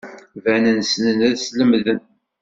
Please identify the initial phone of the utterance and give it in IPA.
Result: v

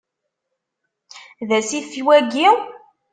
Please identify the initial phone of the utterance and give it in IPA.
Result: ð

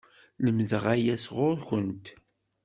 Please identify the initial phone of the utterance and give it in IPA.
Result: l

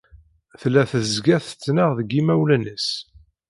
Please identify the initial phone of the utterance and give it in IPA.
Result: θ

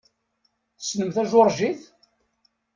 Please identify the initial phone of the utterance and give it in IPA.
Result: θ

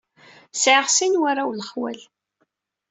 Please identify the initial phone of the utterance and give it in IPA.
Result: s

